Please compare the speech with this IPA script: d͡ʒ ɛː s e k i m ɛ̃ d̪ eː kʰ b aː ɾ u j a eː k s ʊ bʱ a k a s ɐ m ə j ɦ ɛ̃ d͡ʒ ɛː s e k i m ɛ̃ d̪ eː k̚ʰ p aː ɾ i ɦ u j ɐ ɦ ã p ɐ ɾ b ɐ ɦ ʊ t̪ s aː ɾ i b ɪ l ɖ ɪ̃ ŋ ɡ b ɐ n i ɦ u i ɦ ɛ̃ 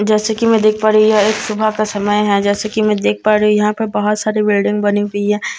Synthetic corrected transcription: d͡ʒ ɛː s e k i m ɛ̃ d̪ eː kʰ p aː ɾ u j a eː k s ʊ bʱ a k a s ɐ m ə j ɦ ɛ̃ d͡ʒ ɛː s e k i m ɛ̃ d̪ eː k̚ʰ p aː ɾ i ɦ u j ɐ ɦ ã p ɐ ɾ b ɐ ɦ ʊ t̪ s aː ɾ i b ɪ l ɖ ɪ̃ ŋ ɡ b ɐ n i ɦ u i ɦ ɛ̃